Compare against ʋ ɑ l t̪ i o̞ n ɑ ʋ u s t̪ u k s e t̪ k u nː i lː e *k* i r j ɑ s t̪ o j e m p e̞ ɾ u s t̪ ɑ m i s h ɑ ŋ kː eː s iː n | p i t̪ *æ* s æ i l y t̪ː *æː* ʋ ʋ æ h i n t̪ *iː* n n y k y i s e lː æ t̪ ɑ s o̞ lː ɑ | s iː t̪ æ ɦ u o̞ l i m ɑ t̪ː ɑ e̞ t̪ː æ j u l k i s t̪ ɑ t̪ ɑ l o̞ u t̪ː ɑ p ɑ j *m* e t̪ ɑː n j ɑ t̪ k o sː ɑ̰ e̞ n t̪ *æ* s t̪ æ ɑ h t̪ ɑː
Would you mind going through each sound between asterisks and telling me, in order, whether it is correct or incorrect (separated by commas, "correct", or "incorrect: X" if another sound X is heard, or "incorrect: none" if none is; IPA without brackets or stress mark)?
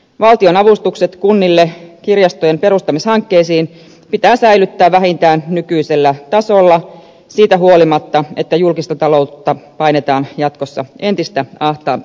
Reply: correct, incorrect: æː, correct, incorrect: æː, incorrect: n, incorrect: i